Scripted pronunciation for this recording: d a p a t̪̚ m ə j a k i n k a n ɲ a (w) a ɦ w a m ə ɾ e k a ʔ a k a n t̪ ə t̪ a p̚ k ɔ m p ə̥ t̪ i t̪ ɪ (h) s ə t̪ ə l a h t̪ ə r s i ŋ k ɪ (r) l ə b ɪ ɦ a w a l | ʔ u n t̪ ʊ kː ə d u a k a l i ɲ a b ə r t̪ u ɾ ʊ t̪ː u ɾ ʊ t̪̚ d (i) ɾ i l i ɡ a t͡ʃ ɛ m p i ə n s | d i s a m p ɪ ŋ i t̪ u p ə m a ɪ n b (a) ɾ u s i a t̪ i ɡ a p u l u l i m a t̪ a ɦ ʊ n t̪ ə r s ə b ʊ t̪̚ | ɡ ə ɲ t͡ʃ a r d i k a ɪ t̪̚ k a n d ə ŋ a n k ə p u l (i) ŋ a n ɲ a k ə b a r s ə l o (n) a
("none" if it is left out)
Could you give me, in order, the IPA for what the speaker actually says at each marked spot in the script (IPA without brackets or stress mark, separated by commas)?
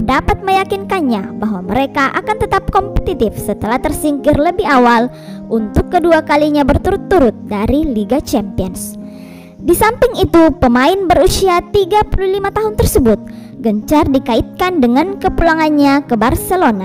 b, f, r, a, ə, a, n